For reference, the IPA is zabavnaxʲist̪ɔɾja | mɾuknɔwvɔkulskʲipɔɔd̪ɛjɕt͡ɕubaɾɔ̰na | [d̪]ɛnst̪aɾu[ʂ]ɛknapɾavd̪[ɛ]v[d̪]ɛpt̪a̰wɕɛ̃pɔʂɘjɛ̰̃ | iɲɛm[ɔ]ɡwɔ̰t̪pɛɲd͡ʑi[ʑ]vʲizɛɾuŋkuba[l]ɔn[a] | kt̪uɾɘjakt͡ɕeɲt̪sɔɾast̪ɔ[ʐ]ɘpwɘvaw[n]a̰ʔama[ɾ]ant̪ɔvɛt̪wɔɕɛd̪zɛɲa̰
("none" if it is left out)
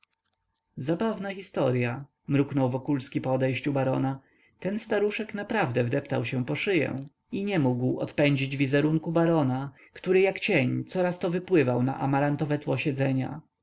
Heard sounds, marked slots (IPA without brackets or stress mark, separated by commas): t̪, ʂ, ɛ, d̪, u, d͡ʑ, ɾ, a, v, n, ɾ